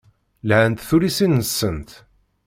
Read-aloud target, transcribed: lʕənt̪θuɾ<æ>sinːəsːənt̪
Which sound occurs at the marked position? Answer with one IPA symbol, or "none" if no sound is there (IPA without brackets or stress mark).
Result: i